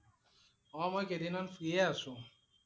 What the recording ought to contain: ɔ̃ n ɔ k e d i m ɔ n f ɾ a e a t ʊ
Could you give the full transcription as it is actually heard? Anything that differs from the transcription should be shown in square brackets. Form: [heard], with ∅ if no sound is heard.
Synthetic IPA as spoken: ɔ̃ [m] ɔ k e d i [n] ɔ n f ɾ [i] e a [s] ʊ